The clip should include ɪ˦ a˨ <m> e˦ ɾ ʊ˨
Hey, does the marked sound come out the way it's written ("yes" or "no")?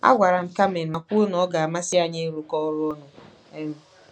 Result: no